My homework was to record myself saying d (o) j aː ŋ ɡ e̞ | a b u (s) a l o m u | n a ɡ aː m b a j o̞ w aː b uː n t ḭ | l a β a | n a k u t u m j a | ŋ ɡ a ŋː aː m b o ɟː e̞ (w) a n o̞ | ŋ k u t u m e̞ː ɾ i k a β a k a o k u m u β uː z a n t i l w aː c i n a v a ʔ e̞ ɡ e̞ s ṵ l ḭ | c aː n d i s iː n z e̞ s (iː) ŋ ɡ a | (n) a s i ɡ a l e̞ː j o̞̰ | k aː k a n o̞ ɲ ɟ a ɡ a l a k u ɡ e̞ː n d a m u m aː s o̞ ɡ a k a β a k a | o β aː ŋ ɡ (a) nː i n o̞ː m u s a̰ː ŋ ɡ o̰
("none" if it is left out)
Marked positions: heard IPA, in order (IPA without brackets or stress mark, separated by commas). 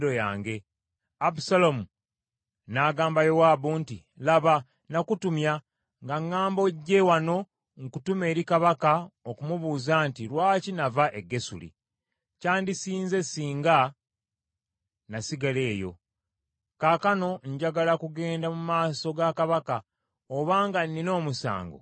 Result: o, s, w, iː, n, a